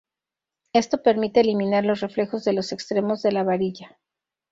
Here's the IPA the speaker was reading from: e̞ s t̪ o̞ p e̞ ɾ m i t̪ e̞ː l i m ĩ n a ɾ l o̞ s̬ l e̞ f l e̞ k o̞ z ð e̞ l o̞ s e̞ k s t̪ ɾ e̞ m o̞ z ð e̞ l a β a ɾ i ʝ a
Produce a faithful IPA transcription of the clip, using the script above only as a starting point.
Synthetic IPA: e̞ s t̪ o̞ p e̞ ɾ m i t̪ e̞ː l i m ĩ n a ɾ l o̞ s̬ r e̞ f l e̞ x o̞ z ð e̞ l o̞ s e̞ k s t̪ ɾ e̞ m o̞ z ð e̞ l a β a ɾ i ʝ a